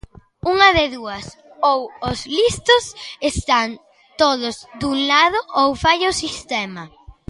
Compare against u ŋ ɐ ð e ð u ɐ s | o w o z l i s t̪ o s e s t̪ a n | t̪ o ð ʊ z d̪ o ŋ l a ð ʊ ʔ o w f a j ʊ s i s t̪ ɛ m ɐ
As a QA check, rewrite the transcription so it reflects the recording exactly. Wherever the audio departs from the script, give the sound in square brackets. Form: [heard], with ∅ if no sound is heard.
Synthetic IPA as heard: u ŋ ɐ ð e ð u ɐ s | o w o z l i s t̪ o s e s t̪ a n | t̪ o ð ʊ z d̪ [u] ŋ l a ð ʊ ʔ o w f a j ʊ s i s t̪ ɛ m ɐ